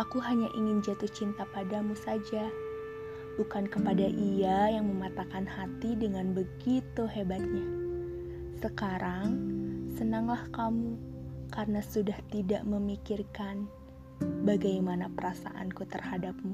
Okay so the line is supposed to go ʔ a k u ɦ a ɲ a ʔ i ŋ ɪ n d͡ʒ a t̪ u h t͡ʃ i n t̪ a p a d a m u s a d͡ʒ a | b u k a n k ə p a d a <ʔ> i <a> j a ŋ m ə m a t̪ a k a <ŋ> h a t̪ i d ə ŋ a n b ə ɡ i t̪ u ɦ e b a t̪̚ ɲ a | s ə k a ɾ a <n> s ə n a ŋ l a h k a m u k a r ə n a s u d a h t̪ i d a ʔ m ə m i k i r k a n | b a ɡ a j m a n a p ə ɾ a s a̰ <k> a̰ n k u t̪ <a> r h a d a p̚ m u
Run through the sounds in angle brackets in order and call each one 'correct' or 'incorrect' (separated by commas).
correct, correct, incorrect, incorrect, incorrect, incorrect